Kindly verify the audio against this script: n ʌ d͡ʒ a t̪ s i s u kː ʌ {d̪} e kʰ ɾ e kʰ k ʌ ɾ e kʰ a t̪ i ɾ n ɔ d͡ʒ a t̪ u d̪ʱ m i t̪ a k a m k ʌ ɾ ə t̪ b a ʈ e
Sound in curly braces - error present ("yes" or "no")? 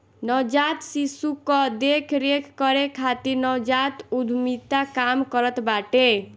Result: no